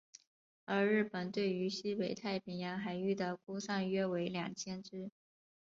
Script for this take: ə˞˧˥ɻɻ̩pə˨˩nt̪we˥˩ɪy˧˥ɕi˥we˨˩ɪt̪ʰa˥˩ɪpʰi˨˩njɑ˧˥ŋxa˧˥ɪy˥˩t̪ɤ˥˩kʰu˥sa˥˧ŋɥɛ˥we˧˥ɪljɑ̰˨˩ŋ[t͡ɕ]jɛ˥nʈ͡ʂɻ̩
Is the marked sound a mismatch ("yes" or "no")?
yes